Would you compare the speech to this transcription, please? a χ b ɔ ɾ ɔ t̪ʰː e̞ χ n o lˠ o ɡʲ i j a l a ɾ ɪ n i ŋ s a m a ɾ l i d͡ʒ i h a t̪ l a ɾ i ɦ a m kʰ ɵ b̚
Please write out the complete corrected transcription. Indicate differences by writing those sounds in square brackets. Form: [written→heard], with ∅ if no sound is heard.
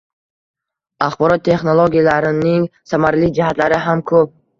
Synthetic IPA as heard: a χ b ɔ ɾ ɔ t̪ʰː e̞ χ n o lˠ o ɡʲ i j a l a ɾ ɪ n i ŋ s a m a ɾ l i d͡ʒ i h a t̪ l a ɾ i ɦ a m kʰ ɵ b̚